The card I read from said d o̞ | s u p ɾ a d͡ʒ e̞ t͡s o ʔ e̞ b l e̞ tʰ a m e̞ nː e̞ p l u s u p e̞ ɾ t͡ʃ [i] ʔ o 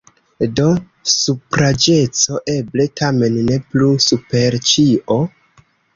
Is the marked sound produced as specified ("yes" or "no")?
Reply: yes